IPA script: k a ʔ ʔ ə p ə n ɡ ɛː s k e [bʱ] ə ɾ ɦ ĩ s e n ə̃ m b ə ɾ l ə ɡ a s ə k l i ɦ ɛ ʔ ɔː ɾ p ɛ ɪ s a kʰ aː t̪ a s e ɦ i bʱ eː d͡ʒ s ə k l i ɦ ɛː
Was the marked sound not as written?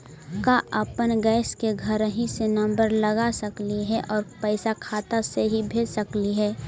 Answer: yes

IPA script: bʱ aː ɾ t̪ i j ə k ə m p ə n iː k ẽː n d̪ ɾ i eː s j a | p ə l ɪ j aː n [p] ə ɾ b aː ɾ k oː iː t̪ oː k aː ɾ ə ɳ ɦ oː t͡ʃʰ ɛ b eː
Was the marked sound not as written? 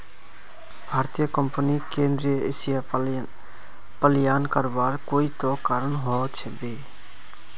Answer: yes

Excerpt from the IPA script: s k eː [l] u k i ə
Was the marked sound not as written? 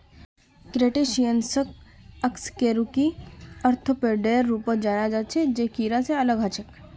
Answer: yes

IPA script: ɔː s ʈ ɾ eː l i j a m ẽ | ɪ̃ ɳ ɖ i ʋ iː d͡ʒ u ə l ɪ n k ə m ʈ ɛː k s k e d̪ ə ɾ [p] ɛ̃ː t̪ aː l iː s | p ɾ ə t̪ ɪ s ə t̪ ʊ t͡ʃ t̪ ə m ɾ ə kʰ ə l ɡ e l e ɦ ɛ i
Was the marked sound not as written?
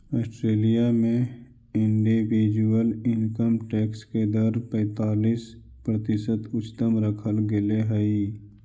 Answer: no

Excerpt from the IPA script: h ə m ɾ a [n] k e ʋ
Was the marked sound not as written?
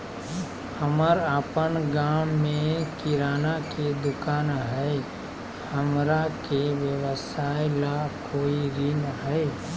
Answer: yes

